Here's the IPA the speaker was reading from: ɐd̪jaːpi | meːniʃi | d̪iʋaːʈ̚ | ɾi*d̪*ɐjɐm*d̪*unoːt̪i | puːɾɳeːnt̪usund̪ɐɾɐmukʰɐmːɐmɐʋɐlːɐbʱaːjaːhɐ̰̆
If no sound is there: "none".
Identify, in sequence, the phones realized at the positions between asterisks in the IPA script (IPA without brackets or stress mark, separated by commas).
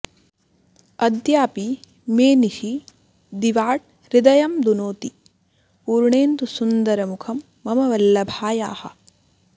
d̪, d̪